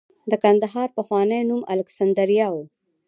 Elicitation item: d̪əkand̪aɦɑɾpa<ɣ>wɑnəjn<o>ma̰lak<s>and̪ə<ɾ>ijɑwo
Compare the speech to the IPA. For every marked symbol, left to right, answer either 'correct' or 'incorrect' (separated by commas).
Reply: incorrect, incorrect, correct, correct